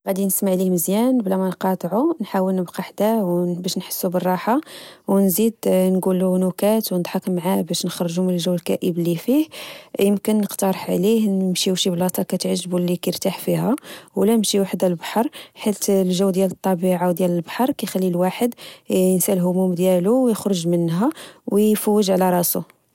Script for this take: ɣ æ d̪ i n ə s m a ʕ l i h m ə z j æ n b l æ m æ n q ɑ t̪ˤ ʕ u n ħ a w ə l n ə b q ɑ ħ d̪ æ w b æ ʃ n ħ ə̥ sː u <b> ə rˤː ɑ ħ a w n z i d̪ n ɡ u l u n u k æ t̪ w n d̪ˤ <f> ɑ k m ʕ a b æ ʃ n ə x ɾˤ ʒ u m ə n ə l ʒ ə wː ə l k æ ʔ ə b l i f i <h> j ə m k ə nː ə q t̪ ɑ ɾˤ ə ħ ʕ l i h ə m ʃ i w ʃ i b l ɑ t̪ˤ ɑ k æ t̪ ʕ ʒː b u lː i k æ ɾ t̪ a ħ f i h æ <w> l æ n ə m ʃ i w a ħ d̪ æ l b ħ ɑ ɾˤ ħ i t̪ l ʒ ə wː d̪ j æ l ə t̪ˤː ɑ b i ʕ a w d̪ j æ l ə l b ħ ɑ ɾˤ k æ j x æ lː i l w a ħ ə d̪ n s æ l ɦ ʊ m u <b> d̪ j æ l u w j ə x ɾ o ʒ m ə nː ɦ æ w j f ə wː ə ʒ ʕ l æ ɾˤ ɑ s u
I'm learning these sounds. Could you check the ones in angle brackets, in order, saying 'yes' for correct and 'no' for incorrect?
yes, no, yes, yes, no

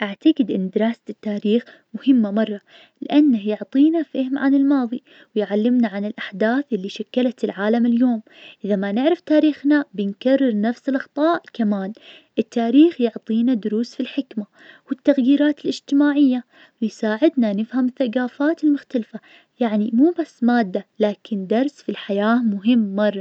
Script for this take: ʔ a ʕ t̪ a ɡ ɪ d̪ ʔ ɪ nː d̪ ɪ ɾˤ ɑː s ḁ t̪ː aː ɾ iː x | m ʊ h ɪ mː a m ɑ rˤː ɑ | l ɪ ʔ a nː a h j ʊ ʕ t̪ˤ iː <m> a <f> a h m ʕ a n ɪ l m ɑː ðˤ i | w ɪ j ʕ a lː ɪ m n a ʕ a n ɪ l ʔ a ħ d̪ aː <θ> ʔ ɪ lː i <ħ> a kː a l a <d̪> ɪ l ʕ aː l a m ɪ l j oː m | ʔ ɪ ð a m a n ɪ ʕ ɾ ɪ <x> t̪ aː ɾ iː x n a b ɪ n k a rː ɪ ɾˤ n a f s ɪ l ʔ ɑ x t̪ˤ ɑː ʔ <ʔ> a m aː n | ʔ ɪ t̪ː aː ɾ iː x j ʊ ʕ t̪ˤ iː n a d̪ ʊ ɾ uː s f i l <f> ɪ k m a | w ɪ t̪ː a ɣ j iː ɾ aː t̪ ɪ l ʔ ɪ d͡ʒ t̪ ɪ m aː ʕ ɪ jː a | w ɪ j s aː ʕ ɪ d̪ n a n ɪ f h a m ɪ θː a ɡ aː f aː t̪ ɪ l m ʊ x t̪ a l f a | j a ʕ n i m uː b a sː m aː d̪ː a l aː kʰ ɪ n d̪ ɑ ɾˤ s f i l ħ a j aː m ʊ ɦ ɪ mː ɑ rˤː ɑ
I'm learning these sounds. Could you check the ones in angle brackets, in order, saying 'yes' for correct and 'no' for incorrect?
no, yes, yes, no, no, no, no, no

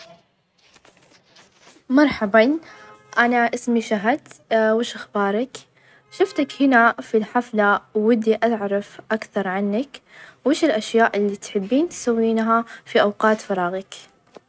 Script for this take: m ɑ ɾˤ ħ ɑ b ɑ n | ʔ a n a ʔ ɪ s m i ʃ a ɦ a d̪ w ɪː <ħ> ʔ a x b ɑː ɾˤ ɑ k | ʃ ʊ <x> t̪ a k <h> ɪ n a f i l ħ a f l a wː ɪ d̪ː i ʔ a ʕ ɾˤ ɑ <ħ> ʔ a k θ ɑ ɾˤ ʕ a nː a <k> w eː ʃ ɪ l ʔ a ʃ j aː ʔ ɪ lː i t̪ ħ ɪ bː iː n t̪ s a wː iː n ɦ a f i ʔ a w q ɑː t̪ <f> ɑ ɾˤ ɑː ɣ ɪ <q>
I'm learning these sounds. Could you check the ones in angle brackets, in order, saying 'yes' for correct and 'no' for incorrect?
no, no, yes, no, yes, yes, no

